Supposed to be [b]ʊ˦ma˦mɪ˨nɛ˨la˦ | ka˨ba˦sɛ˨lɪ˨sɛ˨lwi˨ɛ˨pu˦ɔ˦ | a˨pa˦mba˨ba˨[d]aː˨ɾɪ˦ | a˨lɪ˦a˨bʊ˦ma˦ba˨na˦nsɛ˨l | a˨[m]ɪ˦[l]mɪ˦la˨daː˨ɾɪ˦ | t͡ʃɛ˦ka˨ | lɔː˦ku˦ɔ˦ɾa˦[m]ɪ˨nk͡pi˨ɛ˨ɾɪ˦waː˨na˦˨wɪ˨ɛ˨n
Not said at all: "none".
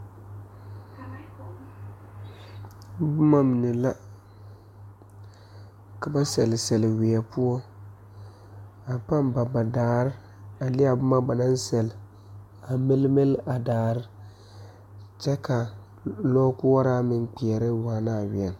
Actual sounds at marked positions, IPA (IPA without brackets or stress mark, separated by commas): b, d, m, l, m